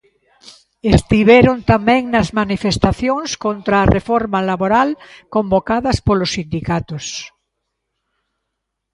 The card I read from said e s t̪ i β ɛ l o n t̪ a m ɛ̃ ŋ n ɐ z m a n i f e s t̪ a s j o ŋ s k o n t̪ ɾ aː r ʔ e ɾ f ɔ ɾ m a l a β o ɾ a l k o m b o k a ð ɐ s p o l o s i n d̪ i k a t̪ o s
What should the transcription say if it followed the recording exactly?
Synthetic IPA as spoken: e s t̪ i β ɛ ɾ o n t̪ a m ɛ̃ ŋ n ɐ z m a n i f e s t̪ a θ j o ŋ s k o n t̪ ɾ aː r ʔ e f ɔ ɾ m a l a β o ɾ a l k o m b o k a ð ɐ s p o l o s i n d̪ i k a t̪ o s